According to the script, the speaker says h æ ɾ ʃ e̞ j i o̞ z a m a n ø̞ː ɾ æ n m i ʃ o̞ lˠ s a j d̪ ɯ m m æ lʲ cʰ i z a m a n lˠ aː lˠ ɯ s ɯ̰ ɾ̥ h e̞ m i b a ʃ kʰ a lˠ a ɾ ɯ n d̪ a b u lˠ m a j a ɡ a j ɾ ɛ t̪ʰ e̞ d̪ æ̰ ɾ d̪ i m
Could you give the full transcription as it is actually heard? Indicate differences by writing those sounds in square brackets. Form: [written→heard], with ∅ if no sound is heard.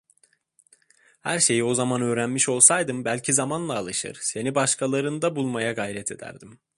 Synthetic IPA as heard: h æ ɾ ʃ e̞ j i o̞ z a m a n ø̞ː ɾ æ n m i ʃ o̞ lˠ s a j d̪ ɯ m [m→b] æ lʲ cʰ i z a m a n lˠ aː lˠ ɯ [s→ʃ] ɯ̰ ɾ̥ [h→s] e̞ [m→n] i b a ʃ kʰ a lˠ a ɾ ɯ n d̪ a b u lˠ m a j a ɡ a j ɾ ɛ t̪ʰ e̞ d̪ æ̰ ɾ d̪ i m